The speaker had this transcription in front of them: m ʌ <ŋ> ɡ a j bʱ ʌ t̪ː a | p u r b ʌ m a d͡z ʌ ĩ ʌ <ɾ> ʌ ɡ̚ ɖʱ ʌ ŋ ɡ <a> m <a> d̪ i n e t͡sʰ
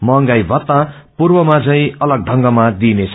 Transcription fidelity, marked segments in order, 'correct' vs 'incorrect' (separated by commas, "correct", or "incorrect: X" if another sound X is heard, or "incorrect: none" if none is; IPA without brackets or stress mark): correct, incorrect: l, incorrect: ʌ, correct